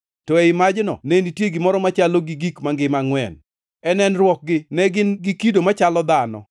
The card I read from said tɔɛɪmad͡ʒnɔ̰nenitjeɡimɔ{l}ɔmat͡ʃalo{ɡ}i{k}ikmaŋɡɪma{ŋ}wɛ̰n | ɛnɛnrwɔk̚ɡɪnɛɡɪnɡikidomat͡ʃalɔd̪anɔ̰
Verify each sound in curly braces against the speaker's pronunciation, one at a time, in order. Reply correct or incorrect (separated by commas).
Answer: incorrect, correct, incorrect, correct